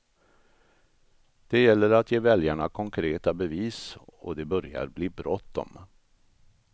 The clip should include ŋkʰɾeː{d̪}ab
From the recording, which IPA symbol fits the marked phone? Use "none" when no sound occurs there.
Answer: t̪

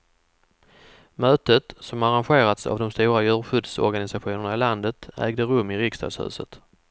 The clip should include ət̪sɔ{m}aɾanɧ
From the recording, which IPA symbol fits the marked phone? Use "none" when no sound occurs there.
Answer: m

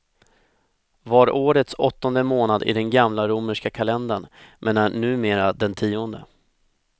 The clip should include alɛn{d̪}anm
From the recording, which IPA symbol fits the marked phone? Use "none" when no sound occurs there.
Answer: d̪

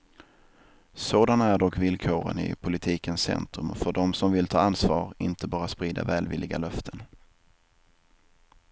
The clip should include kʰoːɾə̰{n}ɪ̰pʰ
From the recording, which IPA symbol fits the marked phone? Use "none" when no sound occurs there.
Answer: n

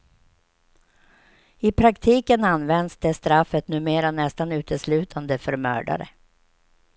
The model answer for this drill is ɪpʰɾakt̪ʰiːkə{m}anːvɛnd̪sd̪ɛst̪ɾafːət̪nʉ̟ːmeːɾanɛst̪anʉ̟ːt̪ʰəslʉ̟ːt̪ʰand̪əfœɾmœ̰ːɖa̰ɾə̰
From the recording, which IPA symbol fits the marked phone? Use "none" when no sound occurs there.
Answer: n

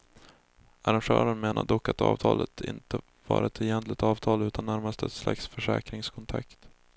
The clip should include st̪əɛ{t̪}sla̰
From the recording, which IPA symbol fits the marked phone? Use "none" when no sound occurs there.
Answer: t̪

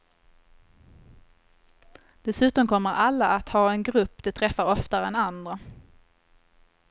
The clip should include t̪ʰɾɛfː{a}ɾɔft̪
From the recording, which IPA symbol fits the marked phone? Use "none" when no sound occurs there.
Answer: a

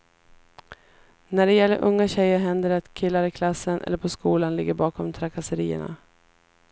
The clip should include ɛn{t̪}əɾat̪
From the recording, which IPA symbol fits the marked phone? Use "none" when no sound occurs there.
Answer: d̪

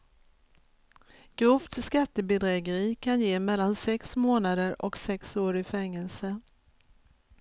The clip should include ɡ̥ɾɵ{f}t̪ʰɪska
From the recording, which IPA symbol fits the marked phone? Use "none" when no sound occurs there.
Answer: f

